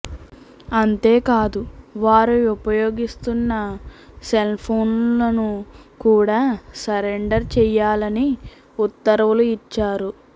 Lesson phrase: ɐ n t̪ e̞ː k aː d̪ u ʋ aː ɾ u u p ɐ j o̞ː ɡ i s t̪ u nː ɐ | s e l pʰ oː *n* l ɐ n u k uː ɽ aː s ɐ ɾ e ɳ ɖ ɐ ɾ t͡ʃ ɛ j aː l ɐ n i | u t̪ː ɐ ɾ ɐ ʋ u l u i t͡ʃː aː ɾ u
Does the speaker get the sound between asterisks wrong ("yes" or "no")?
no